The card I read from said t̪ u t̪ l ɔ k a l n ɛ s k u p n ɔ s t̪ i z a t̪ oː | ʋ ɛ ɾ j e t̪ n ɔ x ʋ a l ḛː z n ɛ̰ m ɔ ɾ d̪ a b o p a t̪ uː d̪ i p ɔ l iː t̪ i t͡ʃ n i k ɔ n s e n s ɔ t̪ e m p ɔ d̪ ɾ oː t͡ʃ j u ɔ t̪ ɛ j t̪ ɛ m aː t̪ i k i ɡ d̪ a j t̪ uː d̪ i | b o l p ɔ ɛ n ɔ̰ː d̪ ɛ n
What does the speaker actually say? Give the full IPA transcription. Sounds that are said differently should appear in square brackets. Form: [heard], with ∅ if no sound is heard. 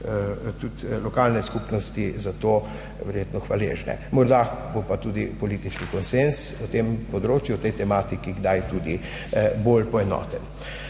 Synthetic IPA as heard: t̪ u t̪ l ɔ k a l n ɛ s k u p n ɔ s t̪ i z a t̪ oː | ʋ ɛ ɾ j e t̪ n ɔ x ʋ a l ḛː [ʒ] n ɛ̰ m ɔ ɾ d̪ a b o p a t̪ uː d̪ i p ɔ l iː t̪ i t͡ʃ n i k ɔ n s e n s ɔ t̪ e m p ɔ d̪ ɾ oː t͡ʃ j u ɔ t̪ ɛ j t̪ ɛ m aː t̪ i k i ɡ d̪ a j t̪ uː d̪ i | b o l p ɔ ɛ n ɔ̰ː [t̪] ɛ n

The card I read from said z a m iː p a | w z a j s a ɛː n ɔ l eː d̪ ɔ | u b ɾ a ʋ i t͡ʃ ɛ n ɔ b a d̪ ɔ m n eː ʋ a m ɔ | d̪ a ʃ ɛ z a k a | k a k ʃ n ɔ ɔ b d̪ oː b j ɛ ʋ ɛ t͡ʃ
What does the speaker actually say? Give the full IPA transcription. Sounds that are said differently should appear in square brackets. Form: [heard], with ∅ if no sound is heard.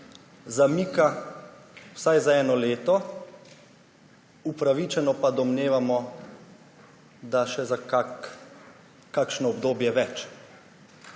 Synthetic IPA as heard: z a m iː [k] a | w [s] a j [z] a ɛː n ɔ l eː [t̪] ɔ | u [p] ɾ a ʋ i t͡ʃ ɛ n ɔ [p] a d̪ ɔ m n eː ʋ a m ɔ | d̪ a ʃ ɛ z a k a | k a k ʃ n ɔ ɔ b d̪ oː b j ɛ ʋ ɛ t͡ʃ

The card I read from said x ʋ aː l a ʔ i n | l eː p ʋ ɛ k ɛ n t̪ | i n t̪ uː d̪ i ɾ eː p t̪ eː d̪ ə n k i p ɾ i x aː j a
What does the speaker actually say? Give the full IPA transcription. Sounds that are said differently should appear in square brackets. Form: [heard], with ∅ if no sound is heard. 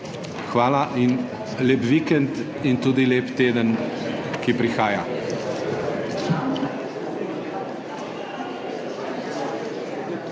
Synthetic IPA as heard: x ʋ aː l a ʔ i n | l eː p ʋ [i] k ɛ n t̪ | i n t̪ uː d̪ i [l] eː p t̪ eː d̪ ə n k i p ɾ i x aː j a

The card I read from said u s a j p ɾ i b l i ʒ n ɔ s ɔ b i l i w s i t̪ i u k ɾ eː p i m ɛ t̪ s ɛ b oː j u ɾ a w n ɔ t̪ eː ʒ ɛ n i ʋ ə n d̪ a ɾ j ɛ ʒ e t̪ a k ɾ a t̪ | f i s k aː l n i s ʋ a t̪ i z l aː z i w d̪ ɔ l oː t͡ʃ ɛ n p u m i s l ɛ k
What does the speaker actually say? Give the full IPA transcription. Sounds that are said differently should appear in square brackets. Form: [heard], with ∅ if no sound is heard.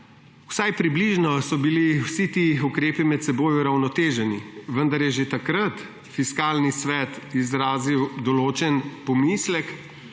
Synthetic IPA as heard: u s a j p ɾ i b l i ʒ n ɔ s ɔ b i l i w s i t̪ i u k ɾ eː p i m ɛ t̪ s ɛ b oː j u ɾ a w n ɔ t̪ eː ʒ ɛ n i ʋ ə n d̪ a ɾ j ɛ ʒ e t̪ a k ɾ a t̪ | f i s k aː l n i s ʋ [ɛ] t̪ i z [ɾ] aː z i w d̪ ɔ l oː t͡ʃ ɛ n p [ɔ] m i s l ɛ k

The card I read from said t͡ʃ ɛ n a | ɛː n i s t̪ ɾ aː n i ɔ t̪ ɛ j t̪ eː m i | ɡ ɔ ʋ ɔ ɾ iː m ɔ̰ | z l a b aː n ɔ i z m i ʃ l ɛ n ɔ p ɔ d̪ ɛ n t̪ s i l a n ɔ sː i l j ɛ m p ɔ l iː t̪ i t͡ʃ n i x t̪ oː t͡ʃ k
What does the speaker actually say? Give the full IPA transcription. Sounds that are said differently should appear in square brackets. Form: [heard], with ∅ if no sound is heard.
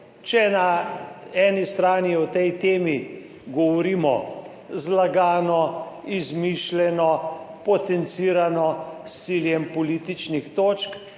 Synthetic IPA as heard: t͡ʃ ɛ n a | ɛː n i s t̪ ɾ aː n i ɔ t̪ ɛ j t̪ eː m i | ɡ ɔ ʋ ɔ ɾ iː m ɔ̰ | z l a [ɡ] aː n ɔ i z m i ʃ l ɛ n ɔ p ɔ [t̪] ɛ n t̪ s i [ɾ] a n ɔ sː i l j ɛ m p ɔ l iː t̪ i t͡ʃ n i x t̪ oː t͡ʃ k

